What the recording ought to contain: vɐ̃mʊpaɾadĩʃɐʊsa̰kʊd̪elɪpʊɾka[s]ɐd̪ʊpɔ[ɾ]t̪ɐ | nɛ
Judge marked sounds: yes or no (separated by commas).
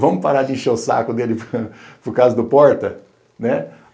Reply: no, yes